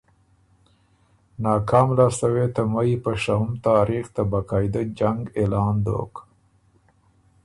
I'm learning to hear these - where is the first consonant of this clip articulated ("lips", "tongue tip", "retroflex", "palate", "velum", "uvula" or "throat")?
tongue tip